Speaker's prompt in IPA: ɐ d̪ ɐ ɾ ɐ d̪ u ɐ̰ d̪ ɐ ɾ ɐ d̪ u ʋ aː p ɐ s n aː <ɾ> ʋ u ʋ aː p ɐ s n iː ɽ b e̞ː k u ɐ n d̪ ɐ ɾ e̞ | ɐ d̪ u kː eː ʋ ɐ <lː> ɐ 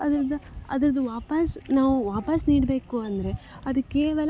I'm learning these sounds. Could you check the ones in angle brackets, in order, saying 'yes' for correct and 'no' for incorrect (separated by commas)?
no, no